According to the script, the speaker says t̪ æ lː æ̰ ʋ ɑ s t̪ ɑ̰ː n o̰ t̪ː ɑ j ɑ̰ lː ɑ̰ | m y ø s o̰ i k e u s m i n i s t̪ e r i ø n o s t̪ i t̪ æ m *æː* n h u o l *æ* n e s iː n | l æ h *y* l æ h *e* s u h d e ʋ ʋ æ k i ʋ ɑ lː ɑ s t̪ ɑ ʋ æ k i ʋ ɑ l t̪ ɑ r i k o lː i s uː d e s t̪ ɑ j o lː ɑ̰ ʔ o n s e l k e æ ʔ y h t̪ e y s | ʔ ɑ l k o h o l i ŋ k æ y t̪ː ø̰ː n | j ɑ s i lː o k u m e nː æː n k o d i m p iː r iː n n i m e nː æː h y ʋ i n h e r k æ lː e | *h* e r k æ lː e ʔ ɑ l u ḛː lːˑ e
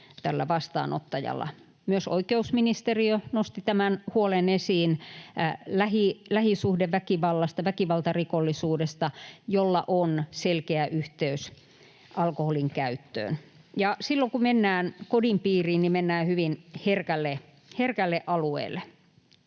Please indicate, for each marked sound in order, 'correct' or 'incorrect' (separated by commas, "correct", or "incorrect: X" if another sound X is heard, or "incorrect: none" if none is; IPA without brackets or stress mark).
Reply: incorrect: æ, incorrect: e, incorrect: i, incorrect: i, correct